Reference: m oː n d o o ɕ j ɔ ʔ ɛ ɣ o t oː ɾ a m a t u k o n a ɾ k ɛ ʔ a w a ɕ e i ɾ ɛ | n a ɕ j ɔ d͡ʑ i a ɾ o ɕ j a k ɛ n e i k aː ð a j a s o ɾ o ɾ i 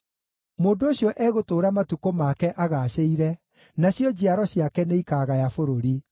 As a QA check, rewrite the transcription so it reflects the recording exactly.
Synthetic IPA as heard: m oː n d o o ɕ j ɔ ʔ ɛ ɣ o t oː ɾ a m a t u k o m a k ɛ ʔ a ɣ a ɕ e i ɾ ɛ | n a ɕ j ɔ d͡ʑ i a ɾ ɔ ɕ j a k ɛ n e i k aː ɣ a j a f o ɾ o ɾ i